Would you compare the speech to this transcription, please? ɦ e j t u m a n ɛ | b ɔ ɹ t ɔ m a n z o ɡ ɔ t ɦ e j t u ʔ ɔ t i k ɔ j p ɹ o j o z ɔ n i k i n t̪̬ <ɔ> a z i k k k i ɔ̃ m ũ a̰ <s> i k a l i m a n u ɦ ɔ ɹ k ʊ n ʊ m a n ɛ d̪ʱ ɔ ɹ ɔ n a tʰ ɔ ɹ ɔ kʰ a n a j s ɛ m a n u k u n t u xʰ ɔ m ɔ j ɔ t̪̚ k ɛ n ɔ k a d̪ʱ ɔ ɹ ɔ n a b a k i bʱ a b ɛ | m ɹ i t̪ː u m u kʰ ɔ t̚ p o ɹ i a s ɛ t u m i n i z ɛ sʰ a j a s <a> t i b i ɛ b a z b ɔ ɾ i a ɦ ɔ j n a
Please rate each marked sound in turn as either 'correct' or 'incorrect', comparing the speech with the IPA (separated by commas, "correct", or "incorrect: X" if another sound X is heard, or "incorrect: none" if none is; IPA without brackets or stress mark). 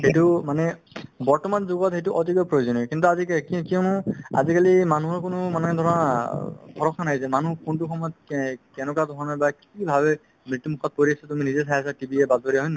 incorrect: u, incorrect: z, correct